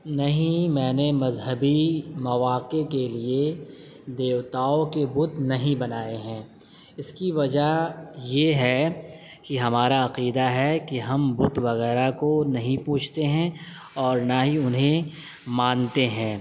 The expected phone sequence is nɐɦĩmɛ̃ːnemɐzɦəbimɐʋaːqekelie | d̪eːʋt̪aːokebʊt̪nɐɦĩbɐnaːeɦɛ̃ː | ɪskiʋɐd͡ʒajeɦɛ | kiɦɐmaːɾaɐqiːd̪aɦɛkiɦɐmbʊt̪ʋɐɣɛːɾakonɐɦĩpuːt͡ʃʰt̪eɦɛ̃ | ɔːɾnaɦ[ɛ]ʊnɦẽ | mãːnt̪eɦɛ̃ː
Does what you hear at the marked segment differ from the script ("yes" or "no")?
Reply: yes